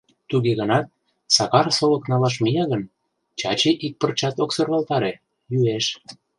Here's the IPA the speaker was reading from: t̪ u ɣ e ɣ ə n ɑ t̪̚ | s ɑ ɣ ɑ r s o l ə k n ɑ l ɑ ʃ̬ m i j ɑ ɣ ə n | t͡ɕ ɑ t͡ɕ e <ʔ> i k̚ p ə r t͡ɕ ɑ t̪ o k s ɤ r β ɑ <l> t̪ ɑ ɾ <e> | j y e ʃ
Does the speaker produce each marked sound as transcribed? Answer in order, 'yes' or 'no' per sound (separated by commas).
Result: yes, yes, yes